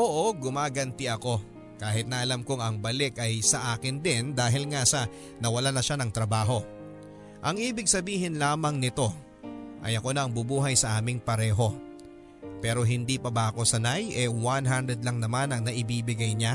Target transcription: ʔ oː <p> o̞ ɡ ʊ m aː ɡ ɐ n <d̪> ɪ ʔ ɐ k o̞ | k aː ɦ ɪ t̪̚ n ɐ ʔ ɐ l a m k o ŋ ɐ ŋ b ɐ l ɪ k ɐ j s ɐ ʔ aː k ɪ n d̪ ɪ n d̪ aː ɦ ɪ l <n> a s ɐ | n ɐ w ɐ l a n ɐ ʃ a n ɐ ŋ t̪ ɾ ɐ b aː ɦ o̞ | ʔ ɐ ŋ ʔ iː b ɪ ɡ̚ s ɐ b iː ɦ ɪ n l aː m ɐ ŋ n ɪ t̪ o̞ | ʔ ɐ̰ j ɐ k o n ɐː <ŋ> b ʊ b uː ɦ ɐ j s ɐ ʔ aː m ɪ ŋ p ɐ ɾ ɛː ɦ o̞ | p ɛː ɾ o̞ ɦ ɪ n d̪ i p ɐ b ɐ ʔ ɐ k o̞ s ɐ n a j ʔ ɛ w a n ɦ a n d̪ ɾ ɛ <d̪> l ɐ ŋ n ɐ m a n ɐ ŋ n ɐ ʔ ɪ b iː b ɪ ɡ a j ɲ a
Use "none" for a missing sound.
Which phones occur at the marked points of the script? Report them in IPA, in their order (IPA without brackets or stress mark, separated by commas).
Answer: ʔ, t̪, ŋ, ŋ, d̪